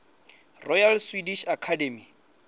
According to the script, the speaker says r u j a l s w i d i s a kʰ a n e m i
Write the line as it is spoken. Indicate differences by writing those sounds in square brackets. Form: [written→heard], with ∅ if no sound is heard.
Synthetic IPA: r [u→ɔ] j a l s w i d i [s→ʃ] a kʰ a [n→d] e m i